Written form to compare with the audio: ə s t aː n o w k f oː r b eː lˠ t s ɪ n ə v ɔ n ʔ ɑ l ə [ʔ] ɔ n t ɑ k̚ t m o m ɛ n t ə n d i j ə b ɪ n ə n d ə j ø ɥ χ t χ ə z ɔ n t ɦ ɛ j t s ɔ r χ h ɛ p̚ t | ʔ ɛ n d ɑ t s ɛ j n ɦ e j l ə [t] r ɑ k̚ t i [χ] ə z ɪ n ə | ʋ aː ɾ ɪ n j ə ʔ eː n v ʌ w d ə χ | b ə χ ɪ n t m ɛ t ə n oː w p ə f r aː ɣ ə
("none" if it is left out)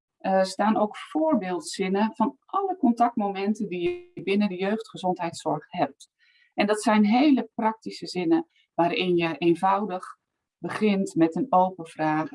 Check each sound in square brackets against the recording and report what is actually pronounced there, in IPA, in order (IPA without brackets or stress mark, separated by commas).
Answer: k, p, s